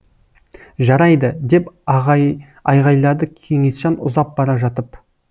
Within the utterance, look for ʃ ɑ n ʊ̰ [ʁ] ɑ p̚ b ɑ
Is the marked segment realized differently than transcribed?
yes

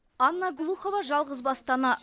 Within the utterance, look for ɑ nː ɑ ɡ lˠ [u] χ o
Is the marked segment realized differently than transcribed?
no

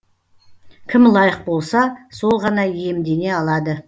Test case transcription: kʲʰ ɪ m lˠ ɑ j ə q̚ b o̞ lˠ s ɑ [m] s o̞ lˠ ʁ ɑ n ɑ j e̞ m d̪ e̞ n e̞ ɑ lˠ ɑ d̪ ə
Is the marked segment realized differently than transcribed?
yes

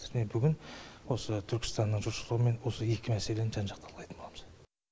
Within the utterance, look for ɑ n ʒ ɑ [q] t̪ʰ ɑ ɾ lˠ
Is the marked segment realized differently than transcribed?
no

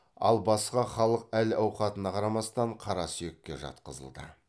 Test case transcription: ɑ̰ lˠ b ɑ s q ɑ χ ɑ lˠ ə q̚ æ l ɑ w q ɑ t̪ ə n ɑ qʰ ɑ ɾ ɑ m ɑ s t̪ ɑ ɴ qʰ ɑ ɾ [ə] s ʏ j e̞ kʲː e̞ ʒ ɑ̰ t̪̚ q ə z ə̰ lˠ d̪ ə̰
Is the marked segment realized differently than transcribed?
yes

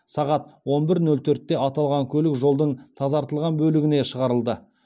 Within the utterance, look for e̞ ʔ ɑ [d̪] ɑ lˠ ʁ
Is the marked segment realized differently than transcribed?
yes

